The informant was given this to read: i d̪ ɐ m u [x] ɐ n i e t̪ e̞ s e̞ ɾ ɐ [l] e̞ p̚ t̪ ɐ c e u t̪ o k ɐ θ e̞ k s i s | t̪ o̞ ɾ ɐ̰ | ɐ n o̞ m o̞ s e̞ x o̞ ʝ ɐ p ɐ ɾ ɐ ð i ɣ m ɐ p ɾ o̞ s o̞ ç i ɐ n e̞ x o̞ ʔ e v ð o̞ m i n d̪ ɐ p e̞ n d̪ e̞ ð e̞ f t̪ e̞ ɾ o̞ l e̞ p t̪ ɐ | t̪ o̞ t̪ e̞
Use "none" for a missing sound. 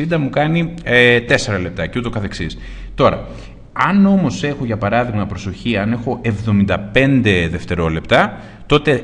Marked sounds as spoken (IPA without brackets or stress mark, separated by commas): k, l